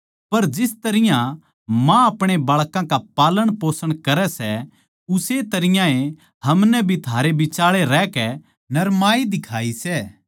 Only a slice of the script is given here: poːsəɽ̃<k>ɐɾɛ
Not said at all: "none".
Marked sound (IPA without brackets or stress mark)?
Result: k